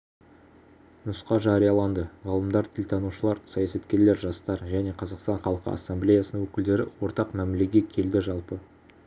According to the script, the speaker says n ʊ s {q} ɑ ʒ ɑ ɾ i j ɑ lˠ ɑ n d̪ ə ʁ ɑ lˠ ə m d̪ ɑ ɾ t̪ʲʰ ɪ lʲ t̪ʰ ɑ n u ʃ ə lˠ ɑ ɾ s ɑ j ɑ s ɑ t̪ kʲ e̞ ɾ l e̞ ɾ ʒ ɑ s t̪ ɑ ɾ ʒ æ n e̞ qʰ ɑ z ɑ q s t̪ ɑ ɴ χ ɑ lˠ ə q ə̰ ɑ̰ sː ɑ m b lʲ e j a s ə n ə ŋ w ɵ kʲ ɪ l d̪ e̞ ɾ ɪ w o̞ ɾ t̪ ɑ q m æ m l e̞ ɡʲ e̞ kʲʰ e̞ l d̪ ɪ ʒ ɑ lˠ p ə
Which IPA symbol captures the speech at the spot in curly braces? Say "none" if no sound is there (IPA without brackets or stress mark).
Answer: q